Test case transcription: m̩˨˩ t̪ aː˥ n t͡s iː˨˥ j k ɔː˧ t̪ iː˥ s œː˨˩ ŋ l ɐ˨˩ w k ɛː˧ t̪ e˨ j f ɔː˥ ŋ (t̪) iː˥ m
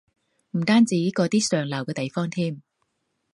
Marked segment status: incorrect: t̪ʰ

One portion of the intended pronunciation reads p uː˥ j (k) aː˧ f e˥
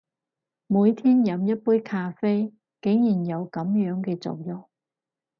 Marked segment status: incorrect: kʰ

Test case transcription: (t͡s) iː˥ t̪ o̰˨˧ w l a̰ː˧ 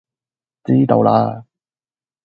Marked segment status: correct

